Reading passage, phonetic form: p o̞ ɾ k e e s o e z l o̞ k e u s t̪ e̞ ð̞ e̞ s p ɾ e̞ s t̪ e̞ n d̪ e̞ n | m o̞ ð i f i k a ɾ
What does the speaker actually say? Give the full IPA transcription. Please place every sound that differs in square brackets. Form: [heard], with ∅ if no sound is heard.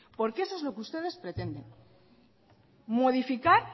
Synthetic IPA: p o̞ ɾ k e e s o e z l o̞ k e u s t̪ e̞ ð̞ e̞ s p ɾ e̞ [∅] t̪ e̞ n d̪ e̞ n | m o̞ ð i f i k a ɾ